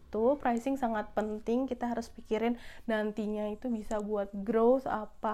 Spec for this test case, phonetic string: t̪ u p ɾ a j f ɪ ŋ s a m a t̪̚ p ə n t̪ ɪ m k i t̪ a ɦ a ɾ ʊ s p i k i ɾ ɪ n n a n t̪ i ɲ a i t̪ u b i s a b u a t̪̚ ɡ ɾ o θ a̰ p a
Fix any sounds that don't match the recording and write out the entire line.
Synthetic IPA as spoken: t̪ u p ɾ a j s ɪ ŋ s a ŋ a t̪̚ p ə n t̪ ɪ ŋ k i t̪ a ɦ a ɾ ʊ s p i k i ɾ ɪ n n a n t̪ i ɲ a i t̪ u b i s a b u a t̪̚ ɡ ɾ o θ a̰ p a